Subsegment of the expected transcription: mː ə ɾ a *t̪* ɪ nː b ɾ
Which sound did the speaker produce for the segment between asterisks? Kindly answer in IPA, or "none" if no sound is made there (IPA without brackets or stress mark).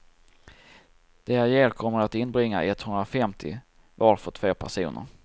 t̪